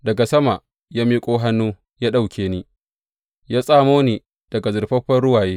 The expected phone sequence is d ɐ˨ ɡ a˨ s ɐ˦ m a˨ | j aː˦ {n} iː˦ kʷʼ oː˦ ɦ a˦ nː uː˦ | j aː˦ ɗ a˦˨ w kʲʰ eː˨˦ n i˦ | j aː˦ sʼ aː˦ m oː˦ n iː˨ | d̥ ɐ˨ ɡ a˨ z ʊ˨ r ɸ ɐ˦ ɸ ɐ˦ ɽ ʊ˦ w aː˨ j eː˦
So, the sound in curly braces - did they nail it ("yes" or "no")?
no